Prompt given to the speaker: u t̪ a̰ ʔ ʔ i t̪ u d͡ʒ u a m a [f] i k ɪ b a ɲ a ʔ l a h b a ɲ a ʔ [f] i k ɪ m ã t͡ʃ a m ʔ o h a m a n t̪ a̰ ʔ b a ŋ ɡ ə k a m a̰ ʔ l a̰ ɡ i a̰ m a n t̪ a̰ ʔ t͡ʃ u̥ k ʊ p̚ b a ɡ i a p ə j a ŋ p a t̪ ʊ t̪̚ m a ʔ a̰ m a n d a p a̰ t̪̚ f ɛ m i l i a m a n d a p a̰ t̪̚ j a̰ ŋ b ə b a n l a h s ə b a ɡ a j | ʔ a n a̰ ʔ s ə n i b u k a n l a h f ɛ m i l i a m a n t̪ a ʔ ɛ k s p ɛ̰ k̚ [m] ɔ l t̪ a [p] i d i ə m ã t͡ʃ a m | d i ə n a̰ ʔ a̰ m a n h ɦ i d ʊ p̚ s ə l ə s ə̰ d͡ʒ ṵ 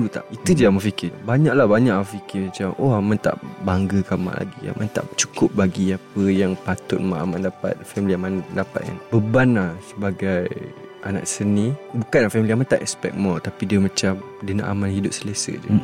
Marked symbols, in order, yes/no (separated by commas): yes, yes, yes, yes